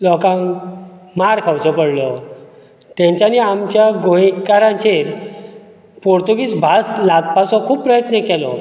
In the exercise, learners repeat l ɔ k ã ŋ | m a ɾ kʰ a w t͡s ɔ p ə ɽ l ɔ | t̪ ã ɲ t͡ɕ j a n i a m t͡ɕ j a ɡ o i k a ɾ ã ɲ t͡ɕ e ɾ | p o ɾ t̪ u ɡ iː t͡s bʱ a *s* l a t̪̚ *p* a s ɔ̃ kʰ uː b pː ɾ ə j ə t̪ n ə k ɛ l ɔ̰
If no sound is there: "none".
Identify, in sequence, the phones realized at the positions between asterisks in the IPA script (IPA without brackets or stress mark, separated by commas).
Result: s, p